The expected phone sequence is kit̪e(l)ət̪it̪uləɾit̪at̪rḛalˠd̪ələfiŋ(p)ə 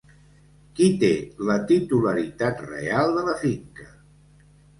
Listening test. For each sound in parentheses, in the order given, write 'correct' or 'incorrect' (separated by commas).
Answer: correct, incorrect